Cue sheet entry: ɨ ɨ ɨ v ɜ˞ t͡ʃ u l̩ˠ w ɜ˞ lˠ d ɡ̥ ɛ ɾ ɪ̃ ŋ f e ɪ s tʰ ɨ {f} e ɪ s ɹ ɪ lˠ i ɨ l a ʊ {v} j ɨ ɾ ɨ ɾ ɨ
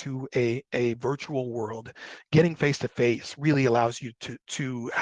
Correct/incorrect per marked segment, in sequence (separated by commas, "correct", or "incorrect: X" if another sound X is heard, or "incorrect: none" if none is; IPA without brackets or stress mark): correct, incorrect: z